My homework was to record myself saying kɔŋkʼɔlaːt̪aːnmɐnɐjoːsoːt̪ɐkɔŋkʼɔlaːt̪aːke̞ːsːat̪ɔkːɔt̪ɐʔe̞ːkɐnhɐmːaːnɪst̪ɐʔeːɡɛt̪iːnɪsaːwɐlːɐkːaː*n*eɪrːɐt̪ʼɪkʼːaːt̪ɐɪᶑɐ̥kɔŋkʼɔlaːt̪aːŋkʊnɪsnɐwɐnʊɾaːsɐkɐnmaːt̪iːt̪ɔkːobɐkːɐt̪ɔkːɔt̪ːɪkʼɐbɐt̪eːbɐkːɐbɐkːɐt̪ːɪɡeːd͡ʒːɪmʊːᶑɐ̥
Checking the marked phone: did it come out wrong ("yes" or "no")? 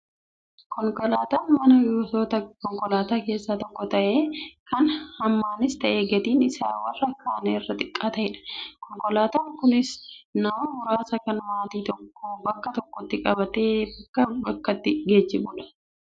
no